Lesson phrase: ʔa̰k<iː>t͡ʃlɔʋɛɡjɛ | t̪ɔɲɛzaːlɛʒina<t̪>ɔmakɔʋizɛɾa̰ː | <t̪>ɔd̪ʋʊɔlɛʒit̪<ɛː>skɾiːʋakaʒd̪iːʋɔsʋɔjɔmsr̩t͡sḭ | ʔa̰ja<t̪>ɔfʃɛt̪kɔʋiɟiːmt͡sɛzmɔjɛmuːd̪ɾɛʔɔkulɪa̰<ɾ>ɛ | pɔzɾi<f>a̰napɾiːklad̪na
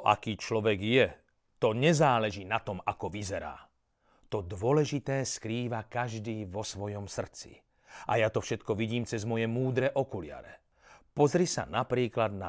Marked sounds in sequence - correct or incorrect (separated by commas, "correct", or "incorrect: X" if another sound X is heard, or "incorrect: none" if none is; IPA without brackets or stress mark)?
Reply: correct, correct, correct, correct, correct, correct, incorrect: s